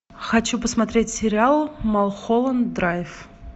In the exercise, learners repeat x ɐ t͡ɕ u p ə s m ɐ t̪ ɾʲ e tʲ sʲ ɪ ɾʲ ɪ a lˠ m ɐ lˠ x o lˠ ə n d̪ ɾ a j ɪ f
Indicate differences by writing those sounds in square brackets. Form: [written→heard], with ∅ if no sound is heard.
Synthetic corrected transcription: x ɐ t͡ɕ u p ə s m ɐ t̪ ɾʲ e tʲ sʲ ɪ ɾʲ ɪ a lˠ m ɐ lˠ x o lˠ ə n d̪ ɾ a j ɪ f

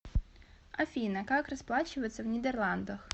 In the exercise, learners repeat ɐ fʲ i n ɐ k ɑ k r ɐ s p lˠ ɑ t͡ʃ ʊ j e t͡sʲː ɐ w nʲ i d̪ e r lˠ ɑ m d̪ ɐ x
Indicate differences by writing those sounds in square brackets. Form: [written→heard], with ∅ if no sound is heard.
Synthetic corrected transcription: ɐ fʲ i n ɐ k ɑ k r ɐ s p lˠ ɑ t͡ʃ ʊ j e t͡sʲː ɐ w nʲ i d̪ e r lˠ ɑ [m→n] d̪ ɐ x

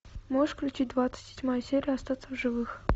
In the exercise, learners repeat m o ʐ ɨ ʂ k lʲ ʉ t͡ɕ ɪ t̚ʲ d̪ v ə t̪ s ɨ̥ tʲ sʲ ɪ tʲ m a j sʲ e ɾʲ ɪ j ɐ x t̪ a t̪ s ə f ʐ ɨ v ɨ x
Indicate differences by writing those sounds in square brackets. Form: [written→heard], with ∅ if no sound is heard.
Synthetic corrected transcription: m o ʐ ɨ ʂ k lʲ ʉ t͡ɕ [ɪ→i] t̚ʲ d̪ v [ə→a] t̪ s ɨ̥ tʲ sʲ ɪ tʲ m a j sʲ e ɾʲ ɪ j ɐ [x→s] t̪ a t̪ s ə [f→v] ʐ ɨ v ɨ x

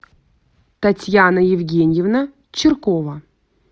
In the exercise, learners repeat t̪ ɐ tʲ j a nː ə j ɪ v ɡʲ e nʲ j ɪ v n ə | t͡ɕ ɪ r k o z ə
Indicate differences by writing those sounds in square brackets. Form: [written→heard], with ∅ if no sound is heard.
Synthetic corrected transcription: t̪ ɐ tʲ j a [nː→n] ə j ɪ v ɡʲ e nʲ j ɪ v n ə | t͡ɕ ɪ r k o [z→v] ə

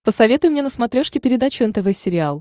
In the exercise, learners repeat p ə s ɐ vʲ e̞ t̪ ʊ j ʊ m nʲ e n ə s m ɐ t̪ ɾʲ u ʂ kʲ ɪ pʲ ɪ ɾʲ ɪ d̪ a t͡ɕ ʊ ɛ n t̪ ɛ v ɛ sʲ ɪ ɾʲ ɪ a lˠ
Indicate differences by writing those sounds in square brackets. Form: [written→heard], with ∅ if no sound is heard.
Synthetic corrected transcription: p ə s ɐ vʲ e̞ t̪ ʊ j ʊ m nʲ e n ə s m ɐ t̪ ɾʲ [u→o] ʂ kʲ ɪ pʲ ɪ ɾʲ ɪ d̪ a t͡ɕ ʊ ɛ n t̪ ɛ v ɛ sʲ ɪ ɾʲ ɪ a lˠ

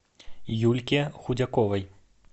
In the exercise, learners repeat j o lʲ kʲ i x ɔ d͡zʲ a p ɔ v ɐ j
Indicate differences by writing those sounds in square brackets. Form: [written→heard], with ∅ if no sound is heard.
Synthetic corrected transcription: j [o→u] lʲ kʲ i x [ɔ→u] d͡zʲ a [p→k] ɔ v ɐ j

